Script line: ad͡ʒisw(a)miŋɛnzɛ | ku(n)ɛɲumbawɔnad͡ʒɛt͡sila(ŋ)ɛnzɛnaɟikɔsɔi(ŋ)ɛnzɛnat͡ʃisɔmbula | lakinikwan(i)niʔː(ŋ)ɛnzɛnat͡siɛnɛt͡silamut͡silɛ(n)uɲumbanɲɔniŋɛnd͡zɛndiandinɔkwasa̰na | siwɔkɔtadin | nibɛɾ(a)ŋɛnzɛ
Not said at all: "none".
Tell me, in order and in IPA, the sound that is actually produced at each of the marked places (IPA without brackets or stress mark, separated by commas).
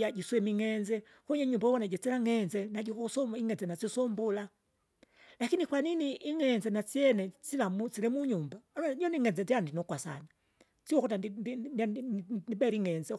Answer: ɛ, ɲ, ŋ, ŋ, i, ŋ, m, i